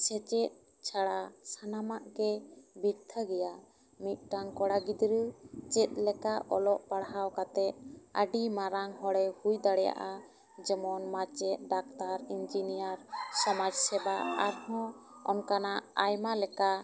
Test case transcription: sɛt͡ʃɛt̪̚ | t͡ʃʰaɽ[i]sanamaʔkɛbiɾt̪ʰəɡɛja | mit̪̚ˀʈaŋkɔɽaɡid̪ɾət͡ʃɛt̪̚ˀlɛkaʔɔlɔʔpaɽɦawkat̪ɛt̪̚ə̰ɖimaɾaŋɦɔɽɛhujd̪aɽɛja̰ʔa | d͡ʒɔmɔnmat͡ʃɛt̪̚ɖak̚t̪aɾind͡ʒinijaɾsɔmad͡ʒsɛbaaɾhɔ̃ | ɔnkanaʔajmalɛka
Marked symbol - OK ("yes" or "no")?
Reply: no